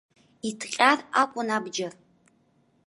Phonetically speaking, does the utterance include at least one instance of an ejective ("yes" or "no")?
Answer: yes